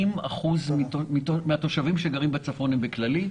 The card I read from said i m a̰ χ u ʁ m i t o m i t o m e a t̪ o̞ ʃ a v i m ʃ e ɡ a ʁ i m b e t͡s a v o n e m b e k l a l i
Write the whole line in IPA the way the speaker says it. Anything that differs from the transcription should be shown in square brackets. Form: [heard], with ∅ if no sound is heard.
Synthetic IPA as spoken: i m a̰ χ u [z] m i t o m i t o m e a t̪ o̞ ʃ a v i m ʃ e ɡ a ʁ i m b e t͡s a [f] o n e m b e k l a l i

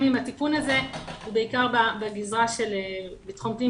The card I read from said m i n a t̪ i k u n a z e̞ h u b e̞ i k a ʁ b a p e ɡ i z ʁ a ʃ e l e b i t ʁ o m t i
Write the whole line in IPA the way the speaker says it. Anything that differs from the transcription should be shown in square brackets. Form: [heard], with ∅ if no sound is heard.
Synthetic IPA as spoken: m i [m] a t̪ i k u n a z e̞ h u b e̞ i k a ʁ b a [b] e ɡ i z ʁ a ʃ e l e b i t [χ] o m t i

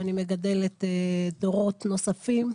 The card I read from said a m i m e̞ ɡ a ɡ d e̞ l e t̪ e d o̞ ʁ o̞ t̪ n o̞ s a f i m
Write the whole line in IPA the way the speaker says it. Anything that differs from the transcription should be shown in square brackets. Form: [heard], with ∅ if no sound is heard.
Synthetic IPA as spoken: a [n] i m e̞ ɡ a [∅] d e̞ l e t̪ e d o̞ ʁ o̞ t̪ n o̞ s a f i m

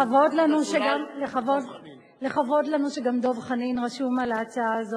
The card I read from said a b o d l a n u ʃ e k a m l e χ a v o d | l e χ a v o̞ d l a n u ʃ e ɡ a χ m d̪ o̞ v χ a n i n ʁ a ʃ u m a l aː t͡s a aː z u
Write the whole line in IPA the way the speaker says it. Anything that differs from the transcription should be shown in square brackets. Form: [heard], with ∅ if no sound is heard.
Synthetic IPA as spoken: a [v] o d l a n u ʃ e [ɡ] a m l e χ a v o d | l e χ a v o̞ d l a n u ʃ e ɡ a [∅] m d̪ o̞ v χ a n i n ʁ a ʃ u m a l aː t͡s a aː z [o]

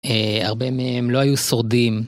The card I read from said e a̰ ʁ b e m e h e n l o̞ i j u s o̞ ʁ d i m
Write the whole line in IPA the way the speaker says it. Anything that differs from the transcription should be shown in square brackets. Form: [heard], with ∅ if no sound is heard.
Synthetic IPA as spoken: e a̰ ʁ b e m e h e [m] l o̞ [a] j u s o̞ ʁ d i m

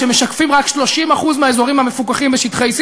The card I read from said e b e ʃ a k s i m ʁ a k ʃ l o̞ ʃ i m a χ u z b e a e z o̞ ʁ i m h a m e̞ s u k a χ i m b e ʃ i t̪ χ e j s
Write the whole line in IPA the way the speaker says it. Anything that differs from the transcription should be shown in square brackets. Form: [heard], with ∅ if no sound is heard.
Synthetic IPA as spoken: e [m] e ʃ a k [f] i m ʁ a k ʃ l o̞ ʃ i m a χ u z [m] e a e z o̞ ʁ i m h a m e̞ [f] u k a χ i m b e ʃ i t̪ χ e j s

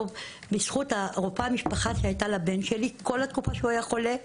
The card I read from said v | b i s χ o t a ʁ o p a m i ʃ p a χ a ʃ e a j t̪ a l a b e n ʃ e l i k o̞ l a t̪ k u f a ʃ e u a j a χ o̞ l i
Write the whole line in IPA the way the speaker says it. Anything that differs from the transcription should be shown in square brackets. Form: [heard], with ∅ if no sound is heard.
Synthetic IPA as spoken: v | b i s χ [u] t a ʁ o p a m i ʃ p a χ a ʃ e a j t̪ a l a b e n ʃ e l i k o̞ l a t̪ k u f a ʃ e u a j a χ o̞ l [e]

